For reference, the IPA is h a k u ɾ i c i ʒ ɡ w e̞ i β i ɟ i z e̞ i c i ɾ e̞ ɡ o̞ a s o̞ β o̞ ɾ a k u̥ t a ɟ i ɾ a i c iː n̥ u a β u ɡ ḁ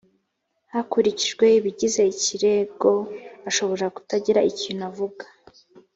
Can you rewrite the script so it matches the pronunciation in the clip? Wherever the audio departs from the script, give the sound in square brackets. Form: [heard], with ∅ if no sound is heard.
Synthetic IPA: h a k u ɾ i c i ʒ ɡ w e̞ i β i ɟ i z e̞ i c i ɾ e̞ ɡ o̞ a [ʃ] o̞ β o̞ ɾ a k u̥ t a ɟ i ɾ a i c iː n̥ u a [v] u ɡ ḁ